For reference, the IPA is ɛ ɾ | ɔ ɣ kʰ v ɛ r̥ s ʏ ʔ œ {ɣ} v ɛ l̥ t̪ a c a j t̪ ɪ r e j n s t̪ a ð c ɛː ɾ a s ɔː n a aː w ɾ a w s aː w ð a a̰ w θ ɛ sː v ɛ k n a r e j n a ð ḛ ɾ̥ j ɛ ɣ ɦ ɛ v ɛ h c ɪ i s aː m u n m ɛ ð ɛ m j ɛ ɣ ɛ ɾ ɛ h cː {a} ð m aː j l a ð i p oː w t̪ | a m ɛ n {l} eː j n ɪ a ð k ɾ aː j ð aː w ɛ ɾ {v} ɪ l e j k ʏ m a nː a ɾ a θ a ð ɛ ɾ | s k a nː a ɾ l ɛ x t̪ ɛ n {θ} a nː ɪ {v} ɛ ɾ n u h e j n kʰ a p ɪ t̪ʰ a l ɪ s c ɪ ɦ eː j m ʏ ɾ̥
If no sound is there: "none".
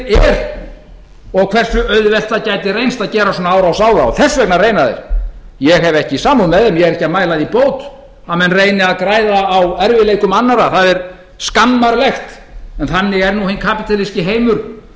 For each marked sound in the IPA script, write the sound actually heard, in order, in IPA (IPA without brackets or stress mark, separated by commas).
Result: ð, a, r, v, θ, ɣ